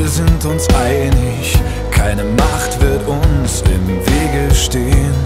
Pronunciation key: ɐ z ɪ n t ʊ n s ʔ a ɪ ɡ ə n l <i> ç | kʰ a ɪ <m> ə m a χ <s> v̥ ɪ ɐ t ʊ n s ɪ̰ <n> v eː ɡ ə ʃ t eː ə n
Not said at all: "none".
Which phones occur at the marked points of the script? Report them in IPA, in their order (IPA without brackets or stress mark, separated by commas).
ɪ, n, t, m